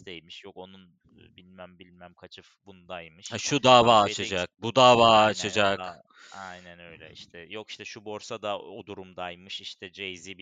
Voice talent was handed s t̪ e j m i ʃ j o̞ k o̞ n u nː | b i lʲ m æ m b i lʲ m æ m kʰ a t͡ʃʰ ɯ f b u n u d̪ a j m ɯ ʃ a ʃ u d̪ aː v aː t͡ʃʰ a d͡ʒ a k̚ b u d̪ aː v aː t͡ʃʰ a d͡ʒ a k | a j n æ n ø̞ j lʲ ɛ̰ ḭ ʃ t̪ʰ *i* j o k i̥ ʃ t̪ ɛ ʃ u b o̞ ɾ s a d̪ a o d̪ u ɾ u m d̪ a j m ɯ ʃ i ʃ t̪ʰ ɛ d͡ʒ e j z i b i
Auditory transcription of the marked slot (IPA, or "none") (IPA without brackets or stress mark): ɛ